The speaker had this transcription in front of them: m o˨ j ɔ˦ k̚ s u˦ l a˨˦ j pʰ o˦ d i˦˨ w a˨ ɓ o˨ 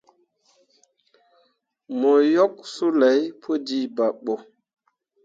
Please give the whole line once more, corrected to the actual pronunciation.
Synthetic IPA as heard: m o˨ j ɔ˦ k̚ s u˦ l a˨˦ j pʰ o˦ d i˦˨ b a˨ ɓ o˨